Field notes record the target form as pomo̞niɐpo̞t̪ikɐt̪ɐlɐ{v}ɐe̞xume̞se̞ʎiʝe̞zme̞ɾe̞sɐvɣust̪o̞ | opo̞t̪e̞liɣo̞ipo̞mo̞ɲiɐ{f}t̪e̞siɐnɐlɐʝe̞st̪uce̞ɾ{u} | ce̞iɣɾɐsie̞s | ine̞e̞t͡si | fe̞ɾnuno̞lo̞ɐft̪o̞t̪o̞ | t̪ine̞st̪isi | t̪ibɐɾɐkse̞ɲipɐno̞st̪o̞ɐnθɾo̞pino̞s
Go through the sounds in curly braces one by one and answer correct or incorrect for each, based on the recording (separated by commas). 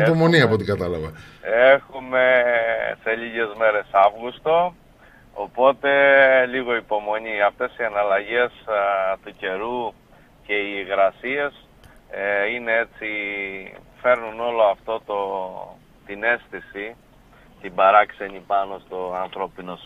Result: correct, correct, correct